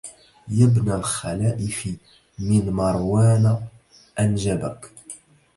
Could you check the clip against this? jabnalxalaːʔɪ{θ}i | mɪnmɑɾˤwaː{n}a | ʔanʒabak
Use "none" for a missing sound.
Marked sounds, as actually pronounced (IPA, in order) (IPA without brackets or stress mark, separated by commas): f, n